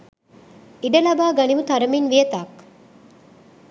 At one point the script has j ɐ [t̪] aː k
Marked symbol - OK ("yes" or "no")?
yes